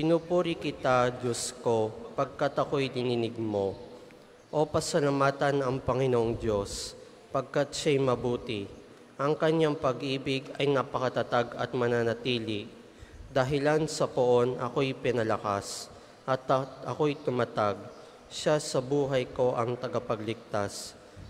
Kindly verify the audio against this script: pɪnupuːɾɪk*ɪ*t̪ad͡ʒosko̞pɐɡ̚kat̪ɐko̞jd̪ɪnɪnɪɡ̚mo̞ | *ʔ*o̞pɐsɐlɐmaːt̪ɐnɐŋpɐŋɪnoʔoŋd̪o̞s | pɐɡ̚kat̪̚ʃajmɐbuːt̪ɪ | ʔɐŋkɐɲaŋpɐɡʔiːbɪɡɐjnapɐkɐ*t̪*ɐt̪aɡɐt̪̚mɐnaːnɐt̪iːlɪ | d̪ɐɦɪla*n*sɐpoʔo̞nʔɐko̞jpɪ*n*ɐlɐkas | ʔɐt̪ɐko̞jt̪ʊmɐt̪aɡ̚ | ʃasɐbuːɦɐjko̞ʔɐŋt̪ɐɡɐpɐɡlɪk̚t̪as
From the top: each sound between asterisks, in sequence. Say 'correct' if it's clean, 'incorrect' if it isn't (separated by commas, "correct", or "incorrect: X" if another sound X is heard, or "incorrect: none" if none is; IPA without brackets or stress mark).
correct, correct, correct, correct, correct